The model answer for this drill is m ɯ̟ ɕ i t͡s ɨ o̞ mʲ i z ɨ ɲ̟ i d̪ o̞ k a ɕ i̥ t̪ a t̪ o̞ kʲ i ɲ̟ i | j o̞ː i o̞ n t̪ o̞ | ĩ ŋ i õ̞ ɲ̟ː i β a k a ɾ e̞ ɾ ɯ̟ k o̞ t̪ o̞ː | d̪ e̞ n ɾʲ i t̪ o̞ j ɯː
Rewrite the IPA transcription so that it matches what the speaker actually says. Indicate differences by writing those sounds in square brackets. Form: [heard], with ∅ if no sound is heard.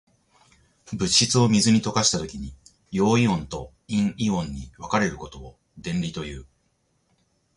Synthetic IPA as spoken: [b] ɯ̟ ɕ i t͡s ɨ o̞ mʲ i z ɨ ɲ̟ i [t̪] o̞ k a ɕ i̥ t̪ a t̪ o̞ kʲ i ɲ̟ i | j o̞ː i [õ̞] n t̪ o̞ | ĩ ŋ i õ̞ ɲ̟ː i β a k a ɾ e̞ ɾ ɯ̟ k o̞ t̪ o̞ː | d̪ [ẽ̞] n ɾʲ i t̪ o̞ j ɯː